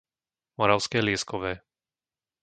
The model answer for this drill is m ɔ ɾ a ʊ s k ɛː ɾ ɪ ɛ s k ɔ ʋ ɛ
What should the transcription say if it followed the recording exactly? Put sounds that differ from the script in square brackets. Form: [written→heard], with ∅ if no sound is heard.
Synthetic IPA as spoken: m ɔ ɾ a ʊ s k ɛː [ɾ→l] ɪ ɛ s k ɔ ʋ [ɛ→ɛː]